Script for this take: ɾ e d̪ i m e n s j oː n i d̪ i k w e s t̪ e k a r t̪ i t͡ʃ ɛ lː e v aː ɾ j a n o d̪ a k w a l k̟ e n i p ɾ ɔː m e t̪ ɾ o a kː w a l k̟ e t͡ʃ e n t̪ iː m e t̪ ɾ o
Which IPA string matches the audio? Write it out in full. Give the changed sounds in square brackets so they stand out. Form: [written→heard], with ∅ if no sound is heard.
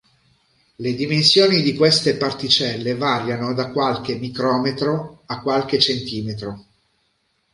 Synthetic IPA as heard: [ɾ→l] e d̪ i m e n s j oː n i d̪ i k w e s t̪ e [k→p] a r t̪ i t͡ʃ ɛ lː e v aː ɾ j a n o d̪ a k w a l k̟ e [n→m] i [p→k] ɾ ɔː m e t̪ ɾ o a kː w a l k̟ e t͡ʃ e n t̪ iː m e t̪ ɾ o

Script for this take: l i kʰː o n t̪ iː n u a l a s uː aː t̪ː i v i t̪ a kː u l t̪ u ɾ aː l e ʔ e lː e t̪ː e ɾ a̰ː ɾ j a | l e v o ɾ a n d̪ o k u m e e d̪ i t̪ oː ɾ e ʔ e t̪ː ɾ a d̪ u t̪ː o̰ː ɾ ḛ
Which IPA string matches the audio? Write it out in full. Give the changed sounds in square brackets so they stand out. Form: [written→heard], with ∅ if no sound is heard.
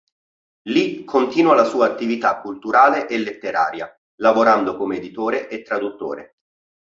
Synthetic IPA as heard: l i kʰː o n t̪ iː n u a l a s uː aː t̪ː i v i t̪ a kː u l t̪ u ɾ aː l e ʔ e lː e t̪ː e ɾ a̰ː ɾ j a | l [e→a] v o ɾ a n d̪ o k [u→o] m e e d̪ i t̪ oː ɾ e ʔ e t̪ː ɾ a d̪ u t̪ː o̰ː ɾ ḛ

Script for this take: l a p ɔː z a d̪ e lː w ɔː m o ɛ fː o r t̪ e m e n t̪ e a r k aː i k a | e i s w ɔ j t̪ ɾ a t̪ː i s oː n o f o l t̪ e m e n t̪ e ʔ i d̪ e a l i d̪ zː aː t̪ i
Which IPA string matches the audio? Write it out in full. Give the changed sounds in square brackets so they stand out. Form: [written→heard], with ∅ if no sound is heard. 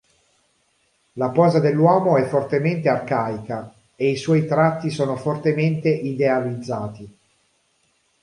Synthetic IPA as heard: l a p ɔː z a d̪ e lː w ɔː m o ɛ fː o r t̪ e m e n t̪ e a r k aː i k a | e i s w ɔ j t̪ ɾ a t̪ː i s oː n o f o [l→r] t̪ e m e n t̪ e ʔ i d̪ e a l i d̪ zː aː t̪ i

